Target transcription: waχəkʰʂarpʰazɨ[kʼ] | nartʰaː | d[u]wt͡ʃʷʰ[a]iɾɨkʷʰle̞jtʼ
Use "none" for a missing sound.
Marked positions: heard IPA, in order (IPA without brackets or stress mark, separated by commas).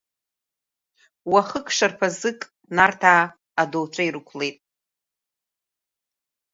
kʼ, o, a